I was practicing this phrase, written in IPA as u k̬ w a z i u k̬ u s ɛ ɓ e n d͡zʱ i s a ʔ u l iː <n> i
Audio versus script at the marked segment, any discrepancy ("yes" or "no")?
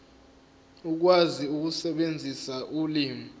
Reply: yes